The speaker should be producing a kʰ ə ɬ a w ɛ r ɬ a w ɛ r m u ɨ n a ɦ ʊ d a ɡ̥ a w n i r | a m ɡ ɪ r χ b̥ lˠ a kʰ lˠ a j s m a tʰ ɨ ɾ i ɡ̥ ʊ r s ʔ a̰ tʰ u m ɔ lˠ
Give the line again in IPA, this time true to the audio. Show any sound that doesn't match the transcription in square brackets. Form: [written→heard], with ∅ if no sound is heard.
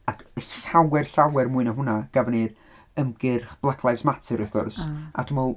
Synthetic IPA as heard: a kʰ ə ɬ a w ɛ r ɬ a w ɛ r m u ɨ n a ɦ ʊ [d→n] a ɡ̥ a [w→v] n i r | [a→ə] m ɡ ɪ r χ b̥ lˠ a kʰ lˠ a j s m a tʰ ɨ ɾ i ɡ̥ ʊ r s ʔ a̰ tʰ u m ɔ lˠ

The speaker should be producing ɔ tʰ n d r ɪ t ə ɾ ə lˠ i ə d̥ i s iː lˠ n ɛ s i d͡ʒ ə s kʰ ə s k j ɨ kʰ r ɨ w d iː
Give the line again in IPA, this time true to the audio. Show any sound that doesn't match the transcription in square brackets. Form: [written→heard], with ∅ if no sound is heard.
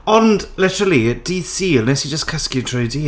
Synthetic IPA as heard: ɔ [tʰ→∅] n d [r→l] ɪ t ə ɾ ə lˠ i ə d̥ i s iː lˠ n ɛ s i d͡ʒ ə s kʰ ə s k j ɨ [kʰ→tʰ] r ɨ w d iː

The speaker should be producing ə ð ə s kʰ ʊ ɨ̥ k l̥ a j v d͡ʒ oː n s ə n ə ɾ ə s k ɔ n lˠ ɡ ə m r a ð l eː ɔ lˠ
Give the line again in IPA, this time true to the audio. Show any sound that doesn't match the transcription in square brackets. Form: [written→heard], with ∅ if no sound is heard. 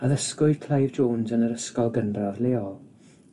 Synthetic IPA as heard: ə ð ə s [kʰ→k] ʊ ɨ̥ [k→kʰ] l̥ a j v d͡ʒ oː n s ə n ə ɾ ə s k ɔ [n→∅] lˠ ɡ ə [m→n] r a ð l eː ɔ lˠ

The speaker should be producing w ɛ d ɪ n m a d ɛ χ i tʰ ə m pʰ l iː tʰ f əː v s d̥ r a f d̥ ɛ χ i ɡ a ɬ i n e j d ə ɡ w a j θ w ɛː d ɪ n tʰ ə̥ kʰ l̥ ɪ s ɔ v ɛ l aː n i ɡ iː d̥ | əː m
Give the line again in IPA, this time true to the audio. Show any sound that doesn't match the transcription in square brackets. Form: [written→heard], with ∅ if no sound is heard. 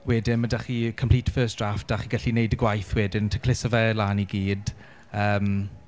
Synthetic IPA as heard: w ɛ d ɪ n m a d [ɛ→a] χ i [tʰ→kʰ] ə m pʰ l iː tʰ f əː [v→∅] s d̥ r a f d̥ [ɛ→a] χ i ɡ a ɬ i n e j d ə ɡ w a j θ w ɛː d ɪ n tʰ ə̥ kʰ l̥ ɪ s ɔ v ɛ l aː n i ɡ iː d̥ | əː m

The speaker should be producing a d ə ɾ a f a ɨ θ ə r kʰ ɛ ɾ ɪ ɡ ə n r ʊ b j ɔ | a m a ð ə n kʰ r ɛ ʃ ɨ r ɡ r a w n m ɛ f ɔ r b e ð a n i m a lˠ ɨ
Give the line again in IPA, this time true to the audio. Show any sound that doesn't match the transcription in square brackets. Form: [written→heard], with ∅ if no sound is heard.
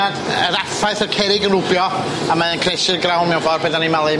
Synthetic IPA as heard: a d ə ɾ a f a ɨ θ ə r kʰ ɛ ɾ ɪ ɡ ə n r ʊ b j ɔ | a m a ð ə n kʰ r ɛ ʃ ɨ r ɡ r a w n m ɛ [f→v] ɔ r b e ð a n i m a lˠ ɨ

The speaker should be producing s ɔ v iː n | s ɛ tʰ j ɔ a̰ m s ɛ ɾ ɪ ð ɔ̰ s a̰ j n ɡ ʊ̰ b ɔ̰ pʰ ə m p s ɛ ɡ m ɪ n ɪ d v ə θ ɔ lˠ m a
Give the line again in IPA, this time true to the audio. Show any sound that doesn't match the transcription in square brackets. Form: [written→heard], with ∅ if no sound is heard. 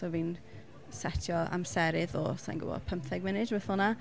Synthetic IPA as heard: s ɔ v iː n | s ɛ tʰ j ɔ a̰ m s ɛ ɾ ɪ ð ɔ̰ s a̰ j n ɡ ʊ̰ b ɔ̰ pʰ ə m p [s→θ] ɛ ɡ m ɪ n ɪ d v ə θ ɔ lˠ [m→n] a

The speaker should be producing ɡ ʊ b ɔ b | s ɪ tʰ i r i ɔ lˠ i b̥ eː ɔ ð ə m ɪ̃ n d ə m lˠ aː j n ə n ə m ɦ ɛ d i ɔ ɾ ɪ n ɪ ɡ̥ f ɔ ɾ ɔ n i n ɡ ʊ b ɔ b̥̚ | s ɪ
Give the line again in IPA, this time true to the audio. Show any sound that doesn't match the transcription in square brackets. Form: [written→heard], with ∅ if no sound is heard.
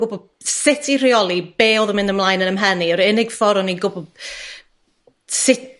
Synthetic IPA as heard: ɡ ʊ b ɔ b | s ɪ tʰ i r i ɔ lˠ i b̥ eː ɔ ð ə m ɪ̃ n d ə m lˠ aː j n ə n ə m ɦ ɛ [d→n] i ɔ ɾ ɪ n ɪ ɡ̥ f ɔ ɾ ɔ n i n ɡ ʊ b ɔ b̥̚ | s ɪ

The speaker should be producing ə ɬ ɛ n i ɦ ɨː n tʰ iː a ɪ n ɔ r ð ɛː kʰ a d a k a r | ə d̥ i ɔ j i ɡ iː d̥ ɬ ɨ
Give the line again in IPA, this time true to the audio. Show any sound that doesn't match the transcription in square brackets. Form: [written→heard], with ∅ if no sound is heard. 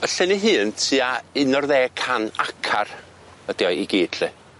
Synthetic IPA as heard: ə ɬ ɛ n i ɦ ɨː n tʰ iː a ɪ n ɔ r ð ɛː kʰ a [d→n] a [k→kʰ] a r | ə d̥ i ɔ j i ɡ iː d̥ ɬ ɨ

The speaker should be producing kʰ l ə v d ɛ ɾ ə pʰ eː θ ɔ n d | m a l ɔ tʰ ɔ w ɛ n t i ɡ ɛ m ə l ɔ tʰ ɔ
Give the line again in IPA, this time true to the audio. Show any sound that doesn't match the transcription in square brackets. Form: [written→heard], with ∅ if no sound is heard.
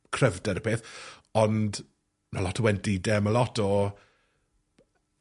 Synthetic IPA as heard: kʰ [l→r] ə v d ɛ ɾ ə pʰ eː θ ɔ n d | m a l ɔ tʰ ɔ w ɛ n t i [ɡ→d] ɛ m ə l ɔ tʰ ɔ

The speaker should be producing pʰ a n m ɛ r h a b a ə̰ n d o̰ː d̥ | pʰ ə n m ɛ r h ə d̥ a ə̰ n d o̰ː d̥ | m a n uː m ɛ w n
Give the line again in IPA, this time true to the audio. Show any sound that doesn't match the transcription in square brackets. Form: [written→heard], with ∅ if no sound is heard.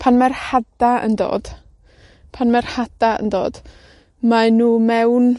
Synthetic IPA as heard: pʰ a n m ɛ r h a [b→d] a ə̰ n d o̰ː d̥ | pʰ [ə→a] n m ɛ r h [ə→a] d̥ a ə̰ n d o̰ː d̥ | m a n uː m ɛ w n

